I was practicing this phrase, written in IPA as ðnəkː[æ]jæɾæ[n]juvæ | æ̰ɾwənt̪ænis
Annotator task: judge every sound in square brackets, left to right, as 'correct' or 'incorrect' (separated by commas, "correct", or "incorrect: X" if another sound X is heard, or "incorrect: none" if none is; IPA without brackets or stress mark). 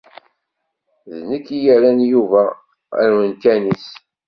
incorrect: i, correct